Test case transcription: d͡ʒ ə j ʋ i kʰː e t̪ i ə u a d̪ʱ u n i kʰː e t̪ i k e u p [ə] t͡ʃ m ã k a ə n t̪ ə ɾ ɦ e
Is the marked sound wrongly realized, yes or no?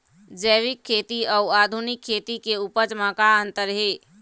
no